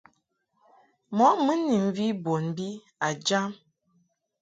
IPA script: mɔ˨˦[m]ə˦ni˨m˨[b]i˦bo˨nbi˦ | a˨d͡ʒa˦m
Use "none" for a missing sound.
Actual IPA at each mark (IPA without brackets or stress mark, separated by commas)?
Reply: m, v